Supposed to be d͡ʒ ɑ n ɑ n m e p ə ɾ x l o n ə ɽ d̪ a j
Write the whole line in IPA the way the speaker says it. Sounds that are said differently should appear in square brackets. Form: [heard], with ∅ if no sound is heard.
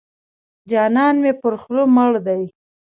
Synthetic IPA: d͡ʒ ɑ n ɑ n m e p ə ɾ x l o [m] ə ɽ d̪ a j